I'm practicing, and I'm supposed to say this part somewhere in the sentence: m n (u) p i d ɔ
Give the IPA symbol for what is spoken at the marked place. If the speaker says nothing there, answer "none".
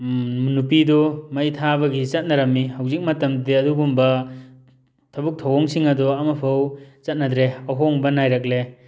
u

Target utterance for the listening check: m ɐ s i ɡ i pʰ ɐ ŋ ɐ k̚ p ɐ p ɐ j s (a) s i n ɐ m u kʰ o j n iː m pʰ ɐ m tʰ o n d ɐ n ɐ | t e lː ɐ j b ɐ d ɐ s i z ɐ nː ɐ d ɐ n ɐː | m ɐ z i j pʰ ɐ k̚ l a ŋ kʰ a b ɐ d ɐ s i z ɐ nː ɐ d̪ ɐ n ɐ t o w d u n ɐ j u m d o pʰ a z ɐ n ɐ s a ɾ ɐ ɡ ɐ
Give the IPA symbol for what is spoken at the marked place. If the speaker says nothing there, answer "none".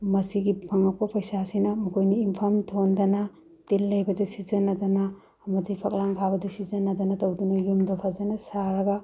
a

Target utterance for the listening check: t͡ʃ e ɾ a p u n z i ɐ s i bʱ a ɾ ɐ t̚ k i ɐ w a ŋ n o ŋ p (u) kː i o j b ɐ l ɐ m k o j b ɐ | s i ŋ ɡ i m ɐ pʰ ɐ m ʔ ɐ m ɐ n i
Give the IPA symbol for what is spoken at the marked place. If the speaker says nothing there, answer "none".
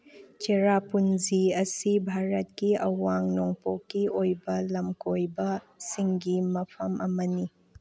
o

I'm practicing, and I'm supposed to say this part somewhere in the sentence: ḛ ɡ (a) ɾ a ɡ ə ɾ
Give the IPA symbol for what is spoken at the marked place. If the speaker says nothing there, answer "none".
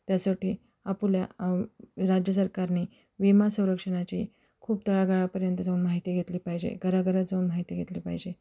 ə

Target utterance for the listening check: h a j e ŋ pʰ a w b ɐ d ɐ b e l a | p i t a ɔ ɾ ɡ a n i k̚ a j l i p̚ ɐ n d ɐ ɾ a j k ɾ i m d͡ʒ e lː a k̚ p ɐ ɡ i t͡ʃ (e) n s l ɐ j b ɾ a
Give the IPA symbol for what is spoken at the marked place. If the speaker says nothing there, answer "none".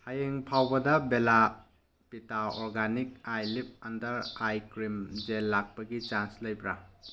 a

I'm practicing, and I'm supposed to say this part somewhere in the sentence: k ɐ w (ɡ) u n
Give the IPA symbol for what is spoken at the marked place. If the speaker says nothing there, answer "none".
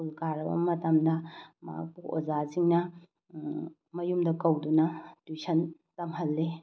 d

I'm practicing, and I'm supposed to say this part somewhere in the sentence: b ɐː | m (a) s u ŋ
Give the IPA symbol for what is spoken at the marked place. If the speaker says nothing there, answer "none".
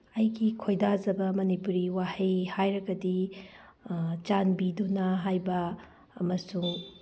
ɐ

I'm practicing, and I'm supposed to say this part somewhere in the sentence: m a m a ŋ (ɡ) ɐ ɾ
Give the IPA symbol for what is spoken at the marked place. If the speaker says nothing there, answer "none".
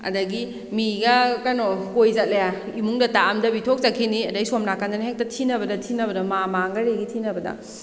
ɡ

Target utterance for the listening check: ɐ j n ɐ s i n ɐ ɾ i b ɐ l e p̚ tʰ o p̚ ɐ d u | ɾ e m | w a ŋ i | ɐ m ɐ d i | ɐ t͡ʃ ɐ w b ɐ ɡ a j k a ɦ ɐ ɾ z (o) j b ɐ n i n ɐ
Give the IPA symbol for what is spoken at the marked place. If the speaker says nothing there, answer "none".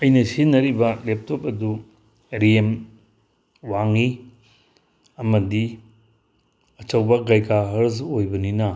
o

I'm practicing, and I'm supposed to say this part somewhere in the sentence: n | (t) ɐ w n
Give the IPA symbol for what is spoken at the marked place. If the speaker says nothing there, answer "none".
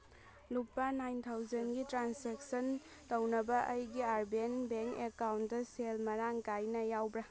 t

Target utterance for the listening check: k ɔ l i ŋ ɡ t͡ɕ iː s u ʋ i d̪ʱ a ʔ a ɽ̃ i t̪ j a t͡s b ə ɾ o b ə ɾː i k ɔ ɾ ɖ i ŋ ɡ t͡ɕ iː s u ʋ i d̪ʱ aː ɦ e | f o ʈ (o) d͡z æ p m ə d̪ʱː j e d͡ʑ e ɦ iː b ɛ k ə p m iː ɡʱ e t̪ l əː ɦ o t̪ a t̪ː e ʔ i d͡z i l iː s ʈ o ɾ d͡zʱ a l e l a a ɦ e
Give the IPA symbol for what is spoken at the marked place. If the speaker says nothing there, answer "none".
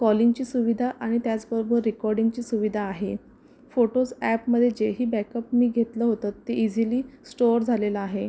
o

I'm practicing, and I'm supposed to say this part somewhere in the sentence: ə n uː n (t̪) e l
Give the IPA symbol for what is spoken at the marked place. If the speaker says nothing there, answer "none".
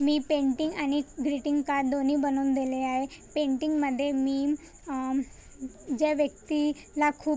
d̪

